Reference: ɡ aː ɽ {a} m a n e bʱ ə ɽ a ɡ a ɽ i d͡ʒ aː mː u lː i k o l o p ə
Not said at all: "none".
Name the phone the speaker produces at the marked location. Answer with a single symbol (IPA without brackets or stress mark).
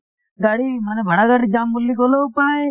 i